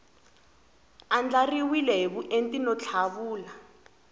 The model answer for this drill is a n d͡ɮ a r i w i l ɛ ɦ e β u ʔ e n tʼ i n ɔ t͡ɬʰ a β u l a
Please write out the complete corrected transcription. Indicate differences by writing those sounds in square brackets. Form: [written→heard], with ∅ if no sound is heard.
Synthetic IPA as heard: a n d͡ɮ a r i w i l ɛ ɦ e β u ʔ e n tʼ i n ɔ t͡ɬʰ a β [u→uː] l a